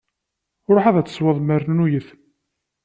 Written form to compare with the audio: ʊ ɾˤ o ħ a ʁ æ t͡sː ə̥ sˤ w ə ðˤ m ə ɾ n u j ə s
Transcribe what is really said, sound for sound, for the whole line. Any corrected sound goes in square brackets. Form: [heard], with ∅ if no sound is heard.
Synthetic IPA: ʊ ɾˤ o ħ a [ð] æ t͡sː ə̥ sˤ w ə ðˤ m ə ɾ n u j ə [θ]